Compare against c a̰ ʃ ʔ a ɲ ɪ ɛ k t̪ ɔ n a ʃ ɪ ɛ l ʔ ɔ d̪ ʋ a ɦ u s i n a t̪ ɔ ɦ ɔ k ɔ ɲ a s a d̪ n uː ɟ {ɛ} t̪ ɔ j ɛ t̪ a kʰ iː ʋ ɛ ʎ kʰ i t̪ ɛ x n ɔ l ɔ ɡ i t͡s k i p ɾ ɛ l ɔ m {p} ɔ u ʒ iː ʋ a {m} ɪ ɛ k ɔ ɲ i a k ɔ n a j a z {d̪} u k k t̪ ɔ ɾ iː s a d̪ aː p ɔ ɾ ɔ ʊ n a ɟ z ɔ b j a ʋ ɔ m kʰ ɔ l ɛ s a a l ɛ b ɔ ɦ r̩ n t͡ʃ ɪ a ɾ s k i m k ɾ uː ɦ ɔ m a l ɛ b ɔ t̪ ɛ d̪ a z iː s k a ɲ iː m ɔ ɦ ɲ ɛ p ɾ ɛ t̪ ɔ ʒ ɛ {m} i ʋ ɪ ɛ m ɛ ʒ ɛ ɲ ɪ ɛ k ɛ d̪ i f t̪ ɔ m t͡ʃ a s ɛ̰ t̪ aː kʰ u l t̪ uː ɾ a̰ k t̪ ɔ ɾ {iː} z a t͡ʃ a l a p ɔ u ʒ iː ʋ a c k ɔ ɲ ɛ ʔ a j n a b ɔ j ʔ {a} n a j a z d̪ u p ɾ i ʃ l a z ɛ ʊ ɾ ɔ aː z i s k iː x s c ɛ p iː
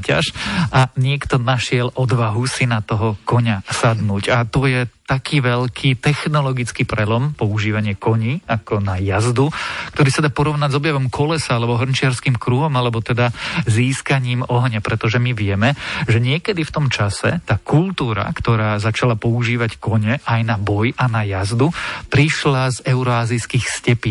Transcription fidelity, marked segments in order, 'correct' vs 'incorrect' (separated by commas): incorrect, correct, incorrect, correct, correct, incorrect, correct